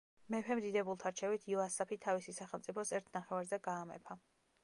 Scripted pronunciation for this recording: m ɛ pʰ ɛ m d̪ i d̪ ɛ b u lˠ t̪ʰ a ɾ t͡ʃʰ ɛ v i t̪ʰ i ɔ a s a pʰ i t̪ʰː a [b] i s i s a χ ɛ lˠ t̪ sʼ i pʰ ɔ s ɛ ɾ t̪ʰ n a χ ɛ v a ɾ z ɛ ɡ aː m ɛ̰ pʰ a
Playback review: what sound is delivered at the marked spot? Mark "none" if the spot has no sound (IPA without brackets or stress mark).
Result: v